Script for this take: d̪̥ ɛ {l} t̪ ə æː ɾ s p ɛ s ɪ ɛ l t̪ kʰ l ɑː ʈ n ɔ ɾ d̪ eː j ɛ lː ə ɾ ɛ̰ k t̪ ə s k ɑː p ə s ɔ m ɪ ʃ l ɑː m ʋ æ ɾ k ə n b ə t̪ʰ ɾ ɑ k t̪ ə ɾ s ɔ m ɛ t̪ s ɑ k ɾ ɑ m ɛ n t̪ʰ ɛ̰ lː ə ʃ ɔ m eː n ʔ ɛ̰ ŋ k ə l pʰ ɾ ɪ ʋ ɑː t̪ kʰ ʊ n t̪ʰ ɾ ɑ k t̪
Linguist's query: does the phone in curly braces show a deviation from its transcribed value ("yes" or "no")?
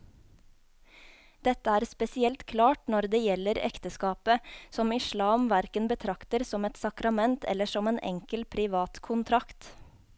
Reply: yes